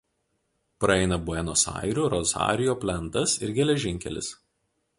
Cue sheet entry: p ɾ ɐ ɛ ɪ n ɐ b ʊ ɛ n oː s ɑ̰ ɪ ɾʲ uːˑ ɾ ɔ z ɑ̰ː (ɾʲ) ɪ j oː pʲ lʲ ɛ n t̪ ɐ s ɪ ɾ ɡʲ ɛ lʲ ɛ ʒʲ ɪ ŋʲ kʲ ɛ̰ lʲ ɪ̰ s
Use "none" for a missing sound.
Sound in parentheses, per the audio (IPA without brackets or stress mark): ɾʲ